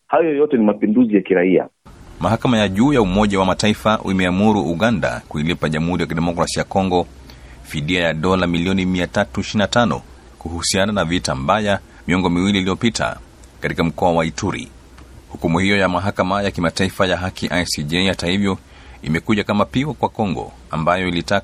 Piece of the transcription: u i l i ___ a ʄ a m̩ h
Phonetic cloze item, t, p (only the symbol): p